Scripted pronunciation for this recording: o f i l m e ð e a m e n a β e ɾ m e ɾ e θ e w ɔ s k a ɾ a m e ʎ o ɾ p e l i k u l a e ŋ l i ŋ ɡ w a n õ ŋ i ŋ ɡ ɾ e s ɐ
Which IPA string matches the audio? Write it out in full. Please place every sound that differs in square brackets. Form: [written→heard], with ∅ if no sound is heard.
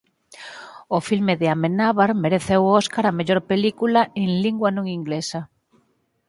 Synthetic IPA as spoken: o f i l m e ð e a m e n a β [e→a] ɾ m e ɾ e θ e w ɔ s k a ɾ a m e ʎ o ɾ p e l i k u l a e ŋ l i ŋ ɡ w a n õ ŋ i ŋ ɡ [ɾ→l] e s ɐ